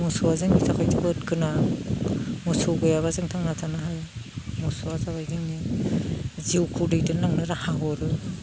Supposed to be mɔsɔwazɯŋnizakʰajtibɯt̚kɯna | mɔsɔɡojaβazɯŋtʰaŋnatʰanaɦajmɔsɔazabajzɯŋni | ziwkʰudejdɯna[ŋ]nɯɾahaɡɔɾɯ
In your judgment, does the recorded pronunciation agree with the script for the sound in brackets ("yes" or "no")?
yes